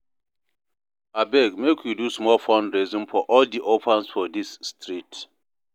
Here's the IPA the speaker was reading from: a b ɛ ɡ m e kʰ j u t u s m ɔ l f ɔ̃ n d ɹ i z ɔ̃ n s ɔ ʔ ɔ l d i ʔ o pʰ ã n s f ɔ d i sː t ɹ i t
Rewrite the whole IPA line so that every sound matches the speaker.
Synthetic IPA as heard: a b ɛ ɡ m e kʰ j u d u s m ɔ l f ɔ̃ n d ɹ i z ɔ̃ n f ɔ ʔ ɔ l d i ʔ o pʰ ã n s f ɔ d i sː t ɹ i t